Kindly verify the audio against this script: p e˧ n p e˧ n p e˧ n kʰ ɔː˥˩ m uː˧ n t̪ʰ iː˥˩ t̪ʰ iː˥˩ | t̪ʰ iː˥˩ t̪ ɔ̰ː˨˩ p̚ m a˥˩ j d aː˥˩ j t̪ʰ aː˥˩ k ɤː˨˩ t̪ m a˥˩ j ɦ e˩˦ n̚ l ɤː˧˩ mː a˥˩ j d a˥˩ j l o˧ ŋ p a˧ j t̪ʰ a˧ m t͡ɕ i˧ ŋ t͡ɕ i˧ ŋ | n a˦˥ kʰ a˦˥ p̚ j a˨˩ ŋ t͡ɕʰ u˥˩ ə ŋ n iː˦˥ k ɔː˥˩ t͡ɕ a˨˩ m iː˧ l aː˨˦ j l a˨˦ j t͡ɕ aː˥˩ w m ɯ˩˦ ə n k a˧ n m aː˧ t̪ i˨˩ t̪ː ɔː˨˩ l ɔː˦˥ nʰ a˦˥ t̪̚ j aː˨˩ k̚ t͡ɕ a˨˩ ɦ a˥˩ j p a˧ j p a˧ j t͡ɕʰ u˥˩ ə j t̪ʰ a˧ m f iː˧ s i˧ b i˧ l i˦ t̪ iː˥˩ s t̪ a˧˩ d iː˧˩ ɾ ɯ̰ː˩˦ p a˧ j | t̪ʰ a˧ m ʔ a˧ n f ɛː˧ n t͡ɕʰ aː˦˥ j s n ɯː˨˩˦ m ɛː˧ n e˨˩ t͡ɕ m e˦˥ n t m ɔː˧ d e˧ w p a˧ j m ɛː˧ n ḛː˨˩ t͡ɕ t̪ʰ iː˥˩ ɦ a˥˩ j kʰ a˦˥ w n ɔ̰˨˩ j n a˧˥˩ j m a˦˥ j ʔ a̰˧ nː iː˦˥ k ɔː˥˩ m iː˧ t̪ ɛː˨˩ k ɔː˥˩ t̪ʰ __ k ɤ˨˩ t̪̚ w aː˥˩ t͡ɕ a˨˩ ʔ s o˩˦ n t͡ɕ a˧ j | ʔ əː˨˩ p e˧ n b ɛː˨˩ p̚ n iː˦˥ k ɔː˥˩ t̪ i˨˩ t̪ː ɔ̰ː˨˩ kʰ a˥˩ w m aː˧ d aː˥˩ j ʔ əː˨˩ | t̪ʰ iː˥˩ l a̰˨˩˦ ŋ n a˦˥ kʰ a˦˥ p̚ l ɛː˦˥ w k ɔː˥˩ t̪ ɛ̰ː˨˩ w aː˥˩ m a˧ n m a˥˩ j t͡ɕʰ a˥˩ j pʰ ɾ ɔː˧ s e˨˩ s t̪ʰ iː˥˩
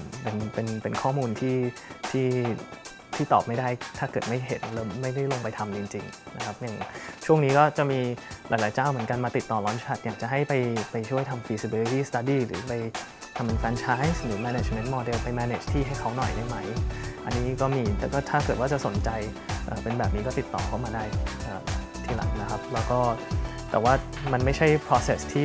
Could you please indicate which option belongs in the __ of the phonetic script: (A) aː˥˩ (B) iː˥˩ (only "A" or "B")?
A